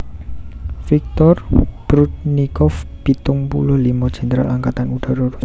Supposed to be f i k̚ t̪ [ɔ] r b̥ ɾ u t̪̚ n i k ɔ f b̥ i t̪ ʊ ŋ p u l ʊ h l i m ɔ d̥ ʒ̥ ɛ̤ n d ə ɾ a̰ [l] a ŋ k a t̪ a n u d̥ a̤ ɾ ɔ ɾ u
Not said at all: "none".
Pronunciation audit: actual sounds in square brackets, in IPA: ɔ, l

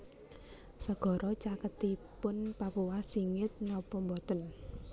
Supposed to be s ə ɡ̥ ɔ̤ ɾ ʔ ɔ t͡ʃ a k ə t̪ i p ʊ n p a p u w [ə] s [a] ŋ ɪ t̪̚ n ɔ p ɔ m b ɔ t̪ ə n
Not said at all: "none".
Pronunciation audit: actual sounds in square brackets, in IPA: a, i

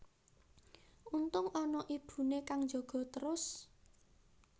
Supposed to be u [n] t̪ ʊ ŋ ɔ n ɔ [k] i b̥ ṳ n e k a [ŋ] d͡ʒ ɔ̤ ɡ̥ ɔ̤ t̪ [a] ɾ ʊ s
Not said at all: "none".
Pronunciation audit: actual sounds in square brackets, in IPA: n, ʔ, ŋ, ə

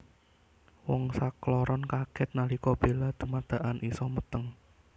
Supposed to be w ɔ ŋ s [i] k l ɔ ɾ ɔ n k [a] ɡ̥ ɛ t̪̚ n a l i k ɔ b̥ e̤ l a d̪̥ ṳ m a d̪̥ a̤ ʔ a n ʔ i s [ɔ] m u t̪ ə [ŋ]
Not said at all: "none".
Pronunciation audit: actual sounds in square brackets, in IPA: a, a, ɔ, ŋ

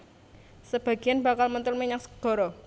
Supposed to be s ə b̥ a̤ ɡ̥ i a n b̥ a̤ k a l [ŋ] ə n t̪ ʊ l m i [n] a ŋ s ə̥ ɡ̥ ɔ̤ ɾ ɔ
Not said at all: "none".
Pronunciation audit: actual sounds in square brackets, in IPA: m, ɲ

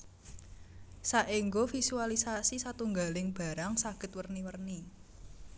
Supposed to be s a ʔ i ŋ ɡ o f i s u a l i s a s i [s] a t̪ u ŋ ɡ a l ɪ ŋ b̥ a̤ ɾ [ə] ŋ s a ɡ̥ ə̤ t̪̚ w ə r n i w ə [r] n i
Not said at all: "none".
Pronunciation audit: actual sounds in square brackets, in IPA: s, a, r

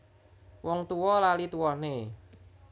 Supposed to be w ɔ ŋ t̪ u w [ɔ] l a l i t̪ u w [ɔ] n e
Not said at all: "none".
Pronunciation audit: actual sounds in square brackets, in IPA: ɔ, ɔ

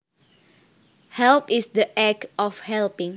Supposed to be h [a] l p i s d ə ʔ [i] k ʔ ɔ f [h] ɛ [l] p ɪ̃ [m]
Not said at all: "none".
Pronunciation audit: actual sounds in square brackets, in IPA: ɛ, ɛ, h, l, ŋ

